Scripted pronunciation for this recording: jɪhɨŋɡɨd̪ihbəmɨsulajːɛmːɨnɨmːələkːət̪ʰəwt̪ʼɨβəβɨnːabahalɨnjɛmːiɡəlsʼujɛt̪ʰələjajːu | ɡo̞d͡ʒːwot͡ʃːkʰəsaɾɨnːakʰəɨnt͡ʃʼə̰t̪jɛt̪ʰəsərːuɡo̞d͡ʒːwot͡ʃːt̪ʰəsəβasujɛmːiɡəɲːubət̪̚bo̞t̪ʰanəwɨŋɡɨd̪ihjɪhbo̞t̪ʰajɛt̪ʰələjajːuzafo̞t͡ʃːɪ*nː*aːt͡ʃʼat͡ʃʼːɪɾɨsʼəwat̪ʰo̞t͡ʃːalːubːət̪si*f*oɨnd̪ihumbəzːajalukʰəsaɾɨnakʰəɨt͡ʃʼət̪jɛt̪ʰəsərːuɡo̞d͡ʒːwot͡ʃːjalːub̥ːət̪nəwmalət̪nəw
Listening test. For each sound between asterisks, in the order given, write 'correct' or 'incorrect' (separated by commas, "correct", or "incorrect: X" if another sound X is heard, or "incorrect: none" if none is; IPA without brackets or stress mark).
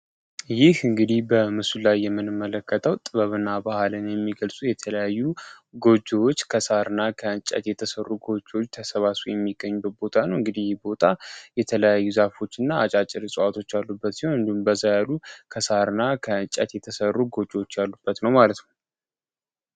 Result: correct, incorrect: h